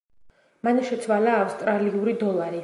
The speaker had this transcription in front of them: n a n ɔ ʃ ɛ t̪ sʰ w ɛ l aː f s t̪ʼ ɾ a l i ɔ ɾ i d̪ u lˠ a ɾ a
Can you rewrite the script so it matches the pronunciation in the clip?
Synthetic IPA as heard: m a n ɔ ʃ ɛ t̪ sʰ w a l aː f s t̪ʼ ɾ a l i u ɾ i d̪ ɔ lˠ a ɾ i